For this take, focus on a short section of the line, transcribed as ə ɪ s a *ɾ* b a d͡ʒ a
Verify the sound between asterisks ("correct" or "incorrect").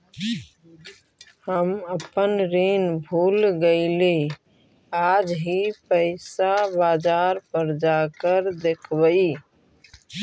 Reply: incorrect